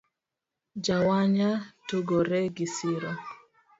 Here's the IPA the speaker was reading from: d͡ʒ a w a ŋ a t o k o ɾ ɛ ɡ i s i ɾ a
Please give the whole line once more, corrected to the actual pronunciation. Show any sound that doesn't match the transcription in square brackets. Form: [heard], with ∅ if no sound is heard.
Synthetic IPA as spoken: d͡ʒ a w a [ɲ] a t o [ɡ] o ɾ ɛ ɡ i s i ɾ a